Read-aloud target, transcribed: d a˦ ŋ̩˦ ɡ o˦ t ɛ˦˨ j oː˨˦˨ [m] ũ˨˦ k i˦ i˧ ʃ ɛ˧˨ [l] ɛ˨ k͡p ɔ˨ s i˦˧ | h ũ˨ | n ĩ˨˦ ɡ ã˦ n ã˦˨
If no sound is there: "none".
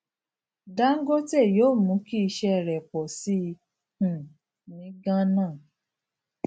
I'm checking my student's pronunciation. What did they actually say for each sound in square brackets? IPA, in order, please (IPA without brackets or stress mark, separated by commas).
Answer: m, ɾ